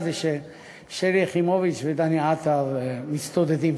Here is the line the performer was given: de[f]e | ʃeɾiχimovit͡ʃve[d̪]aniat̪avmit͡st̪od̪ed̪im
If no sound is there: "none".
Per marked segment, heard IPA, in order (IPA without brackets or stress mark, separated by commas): ʃ, d̪